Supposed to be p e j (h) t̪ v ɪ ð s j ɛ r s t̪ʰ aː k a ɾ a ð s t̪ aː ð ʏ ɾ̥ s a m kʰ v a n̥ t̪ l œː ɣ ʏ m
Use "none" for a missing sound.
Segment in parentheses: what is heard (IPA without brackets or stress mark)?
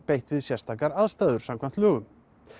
h